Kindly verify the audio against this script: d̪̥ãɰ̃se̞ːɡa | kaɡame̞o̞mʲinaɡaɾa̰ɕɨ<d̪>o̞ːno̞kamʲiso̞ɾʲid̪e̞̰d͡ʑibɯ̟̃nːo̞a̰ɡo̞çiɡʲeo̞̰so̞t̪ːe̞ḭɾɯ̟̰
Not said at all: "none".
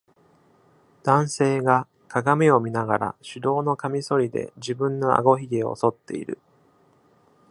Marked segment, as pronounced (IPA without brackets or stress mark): d̪